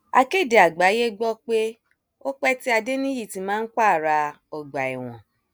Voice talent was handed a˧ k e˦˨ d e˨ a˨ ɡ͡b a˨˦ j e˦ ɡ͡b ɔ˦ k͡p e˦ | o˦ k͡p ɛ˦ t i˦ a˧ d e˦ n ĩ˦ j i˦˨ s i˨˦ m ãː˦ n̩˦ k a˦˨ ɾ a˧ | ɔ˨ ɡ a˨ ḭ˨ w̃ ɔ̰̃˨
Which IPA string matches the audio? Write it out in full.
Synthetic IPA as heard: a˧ k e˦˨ d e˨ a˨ ɡ͡b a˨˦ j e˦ ɡ͡b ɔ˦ k͡p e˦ | o˦ k͡p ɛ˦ t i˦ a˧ d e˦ n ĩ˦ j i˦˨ t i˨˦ m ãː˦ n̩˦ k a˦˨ ɾ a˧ | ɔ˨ ɡ͡b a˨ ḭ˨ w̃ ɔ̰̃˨